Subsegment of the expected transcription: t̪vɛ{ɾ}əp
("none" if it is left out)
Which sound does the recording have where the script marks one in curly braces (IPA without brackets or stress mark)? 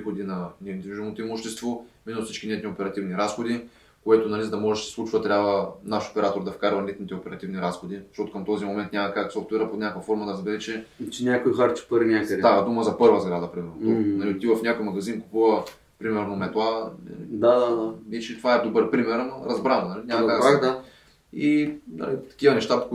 ɾ